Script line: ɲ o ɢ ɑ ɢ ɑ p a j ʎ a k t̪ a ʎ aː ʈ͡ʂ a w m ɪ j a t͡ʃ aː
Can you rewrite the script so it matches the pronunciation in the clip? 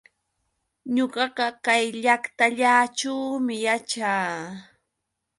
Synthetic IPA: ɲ o ɢ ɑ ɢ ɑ k a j ʎ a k t̪ a ʎ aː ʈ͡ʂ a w m ɪ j a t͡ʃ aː